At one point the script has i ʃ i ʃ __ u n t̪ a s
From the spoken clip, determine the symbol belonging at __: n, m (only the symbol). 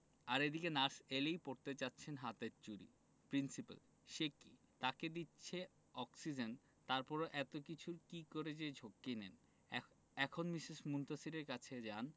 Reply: m